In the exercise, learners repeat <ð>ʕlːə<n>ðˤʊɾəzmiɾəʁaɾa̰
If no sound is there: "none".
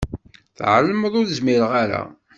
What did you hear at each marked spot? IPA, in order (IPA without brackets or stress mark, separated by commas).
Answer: θ, m